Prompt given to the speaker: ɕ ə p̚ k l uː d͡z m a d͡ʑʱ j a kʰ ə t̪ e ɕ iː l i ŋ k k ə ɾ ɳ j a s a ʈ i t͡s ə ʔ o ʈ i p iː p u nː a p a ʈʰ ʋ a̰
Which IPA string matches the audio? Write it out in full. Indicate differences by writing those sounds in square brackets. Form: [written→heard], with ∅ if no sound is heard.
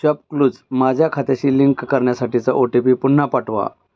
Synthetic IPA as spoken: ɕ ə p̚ k l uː d͡z m a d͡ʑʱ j a kʰ [ə→a] t̪ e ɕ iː l i ŋ k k ə ɾ ɳ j a s a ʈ i t͡s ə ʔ o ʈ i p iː p u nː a p a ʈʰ ʋ a̰